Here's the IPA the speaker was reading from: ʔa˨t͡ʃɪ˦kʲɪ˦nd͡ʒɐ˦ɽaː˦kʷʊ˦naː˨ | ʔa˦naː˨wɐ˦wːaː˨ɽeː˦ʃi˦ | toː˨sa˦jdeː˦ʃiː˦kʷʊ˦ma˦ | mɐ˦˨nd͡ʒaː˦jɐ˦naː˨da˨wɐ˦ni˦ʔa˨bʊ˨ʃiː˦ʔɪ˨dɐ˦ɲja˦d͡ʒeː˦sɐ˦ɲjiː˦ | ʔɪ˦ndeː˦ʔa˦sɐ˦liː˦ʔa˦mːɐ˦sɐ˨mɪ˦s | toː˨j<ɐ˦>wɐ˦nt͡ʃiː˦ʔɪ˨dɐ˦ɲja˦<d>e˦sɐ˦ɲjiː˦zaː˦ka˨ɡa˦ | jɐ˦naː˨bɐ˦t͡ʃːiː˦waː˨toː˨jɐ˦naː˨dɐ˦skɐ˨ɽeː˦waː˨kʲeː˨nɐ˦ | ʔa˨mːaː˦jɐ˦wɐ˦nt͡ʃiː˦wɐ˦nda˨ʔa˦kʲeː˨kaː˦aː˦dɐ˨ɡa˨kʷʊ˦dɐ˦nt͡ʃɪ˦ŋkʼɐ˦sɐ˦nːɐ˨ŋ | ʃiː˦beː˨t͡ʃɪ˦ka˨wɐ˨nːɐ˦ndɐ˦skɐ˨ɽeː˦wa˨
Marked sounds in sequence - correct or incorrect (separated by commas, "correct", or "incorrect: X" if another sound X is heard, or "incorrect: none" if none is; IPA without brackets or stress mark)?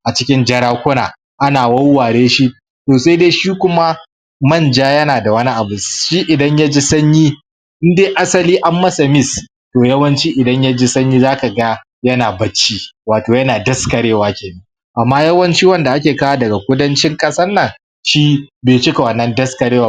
correct, incorrect: d͡ʒ